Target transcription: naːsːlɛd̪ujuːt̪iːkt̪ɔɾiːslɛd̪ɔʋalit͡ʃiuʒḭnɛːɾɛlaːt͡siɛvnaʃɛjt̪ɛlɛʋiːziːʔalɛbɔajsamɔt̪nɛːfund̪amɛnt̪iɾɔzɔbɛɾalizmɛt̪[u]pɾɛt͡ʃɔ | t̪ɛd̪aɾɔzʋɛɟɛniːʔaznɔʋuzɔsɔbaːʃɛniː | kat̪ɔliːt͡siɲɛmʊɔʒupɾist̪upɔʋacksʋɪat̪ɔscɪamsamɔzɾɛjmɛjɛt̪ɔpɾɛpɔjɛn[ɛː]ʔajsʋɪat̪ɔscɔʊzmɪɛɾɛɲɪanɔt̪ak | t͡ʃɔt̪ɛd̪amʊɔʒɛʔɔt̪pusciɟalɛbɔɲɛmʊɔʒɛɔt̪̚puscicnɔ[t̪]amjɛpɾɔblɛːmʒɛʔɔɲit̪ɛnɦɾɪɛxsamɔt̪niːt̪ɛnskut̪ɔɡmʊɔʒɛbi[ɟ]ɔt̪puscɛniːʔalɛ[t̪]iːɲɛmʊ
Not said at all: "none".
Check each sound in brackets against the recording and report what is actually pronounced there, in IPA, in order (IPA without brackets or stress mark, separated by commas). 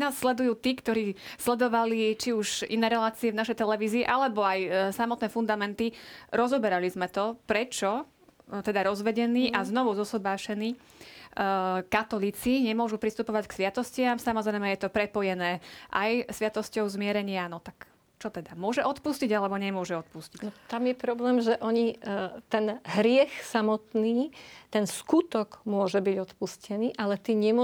ɔ, ɛː, t̪, ɟ, t̪